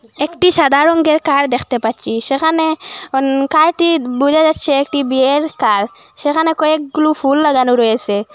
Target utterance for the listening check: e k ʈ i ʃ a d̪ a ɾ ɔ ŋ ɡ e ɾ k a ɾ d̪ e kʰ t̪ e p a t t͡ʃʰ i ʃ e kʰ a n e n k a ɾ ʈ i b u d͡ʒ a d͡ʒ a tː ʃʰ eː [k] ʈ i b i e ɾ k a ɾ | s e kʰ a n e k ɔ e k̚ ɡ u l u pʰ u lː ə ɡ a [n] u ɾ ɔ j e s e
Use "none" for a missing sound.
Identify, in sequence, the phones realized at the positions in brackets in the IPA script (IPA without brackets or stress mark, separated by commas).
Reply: k, n